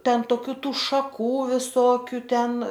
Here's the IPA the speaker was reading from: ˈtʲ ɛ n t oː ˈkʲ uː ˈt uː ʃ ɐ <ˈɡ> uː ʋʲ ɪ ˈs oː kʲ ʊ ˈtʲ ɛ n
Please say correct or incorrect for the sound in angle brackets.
incorrect